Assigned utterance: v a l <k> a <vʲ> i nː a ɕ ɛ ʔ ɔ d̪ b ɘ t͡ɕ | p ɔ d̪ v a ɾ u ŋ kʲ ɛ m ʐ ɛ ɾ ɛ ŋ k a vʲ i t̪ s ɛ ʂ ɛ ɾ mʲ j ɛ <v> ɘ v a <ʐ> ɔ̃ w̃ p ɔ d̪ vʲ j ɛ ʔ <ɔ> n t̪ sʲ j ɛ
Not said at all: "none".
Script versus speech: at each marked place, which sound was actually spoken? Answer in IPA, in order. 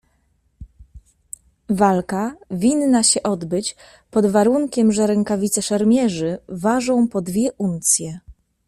k, vʲ, ʐ, ʐ, u

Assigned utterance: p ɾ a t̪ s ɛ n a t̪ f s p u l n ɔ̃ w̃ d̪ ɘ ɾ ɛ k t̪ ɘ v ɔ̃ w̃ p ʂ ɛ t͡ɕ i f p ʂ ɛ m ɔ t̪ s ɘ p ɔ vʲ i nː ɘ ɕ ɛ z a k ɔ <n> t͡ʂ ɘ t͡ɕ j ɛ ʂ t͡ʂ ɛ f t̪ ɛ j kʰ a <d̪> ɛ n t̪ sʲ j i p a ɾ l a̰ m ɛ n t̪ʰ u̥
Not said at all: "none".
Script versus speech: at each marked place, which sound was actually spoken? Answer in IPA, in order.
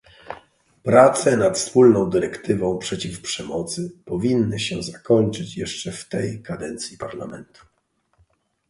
ɲ, d̪

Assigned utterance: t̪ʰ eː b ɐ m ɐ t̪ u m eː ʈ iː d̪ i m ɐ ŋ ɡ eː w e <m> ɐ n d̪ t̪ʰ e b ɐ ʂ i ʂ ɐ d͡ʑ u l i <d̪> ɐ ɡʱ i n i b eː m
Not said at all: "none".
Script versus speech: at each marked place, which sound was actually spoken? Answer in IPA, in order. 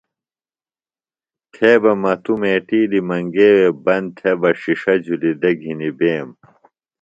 b, d̪

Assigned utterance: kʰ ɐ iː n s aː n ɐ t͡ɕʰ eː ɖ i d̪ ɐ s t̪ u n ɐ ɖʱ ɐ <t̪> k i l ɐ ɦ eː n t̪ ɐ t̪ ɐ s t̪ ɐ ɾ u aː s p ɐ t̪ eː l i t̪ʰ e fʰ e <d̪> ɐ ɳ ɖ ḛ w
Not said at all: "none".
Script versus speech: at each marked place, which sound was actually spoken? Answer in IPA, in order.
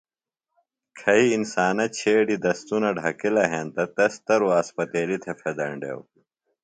none, d̪

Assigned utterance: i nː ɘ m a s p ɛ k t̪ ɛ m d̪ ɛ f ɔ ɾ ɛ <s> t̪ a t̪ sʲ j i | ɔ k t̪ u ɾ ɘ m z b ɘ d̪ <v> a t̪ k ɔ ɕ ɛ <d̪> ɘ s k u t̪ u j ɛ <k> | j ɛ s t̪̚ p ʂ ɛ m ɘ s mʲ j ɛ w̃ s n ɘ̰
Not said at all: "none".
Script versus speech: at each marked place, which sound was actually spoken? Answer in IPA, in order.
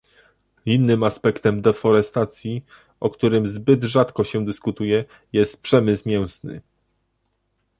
s, ʐ, d̪, none

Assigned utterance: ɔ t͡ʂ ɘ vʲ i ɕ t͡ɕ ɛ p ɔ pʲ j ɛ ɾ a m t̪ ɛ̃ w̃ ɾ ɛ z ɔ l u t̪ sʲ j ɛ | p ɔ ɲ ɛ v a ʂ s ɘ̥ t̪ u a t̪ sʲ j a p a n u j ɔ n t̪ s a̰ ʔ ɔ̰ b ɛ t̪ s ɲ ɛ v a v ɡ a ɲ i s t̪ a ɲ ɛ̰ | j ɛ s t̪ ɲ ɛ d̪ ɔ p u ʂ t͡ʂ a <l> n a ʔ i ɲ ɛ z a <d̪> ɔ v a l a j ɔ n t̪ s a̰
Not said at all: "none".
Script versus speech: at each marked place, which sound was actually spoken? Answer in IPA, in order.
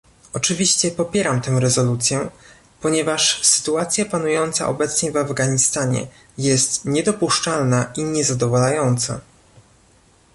l, d̪

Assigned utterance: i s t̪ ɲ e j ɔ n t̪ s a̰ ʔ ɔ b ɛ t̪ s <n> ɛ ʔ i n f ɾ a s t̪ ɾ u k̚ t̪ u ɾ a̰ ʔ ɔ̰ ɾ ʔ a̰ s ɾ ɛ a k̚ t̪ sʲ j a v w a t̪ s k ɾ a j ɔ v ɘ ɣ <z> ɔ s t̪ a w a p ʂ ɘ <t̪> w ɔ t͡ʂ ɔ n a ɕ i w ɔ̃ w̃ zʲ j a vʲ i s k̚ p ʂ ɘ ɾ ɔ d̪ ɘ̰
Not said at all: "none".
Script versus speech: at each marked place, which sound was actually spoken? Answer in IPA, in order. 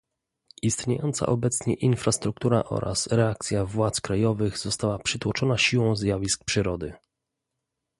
ɲ, z, t̪

